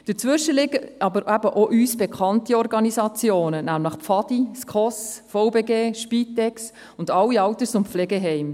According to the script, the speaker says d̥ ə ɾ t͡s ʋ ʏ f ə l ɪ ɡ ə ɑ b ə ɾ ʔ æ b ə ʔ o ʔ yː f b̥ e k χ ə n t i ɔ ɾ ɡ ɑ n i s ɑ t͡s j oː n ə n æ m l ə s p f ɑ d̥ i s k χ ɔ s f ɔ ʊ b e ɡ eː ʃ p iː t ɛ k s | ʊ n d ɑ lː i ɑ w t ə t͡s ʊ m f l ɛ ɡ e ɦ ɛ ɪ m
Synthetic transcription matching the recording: d̥ ə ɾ t͡s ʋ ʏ ʃ ə l ɪ ɡ ə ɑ b ə ɾ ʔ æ b ə ʔ o ʔ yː s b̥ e k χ ɑ n t i ɔ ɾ ɡ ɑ n i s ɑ t͡s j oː n ə n æ m l ə χ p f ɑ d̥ i s k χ ɔ s f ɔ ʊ b e ɡ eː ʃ p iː t ɛ k s | ʊ n d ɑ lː i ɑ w t ə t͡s ʊ m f l ɛ ɡ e ɦ ɛ ɪ m